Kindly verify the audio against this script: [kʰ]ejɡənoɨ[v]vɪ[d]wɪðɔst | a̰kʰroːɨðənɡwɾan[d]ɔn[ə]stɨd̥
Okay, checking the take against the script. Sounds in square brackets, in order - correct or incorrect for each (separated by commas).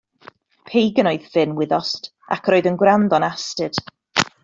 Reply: incorrect, incorrect, incorrect, correct, incorrect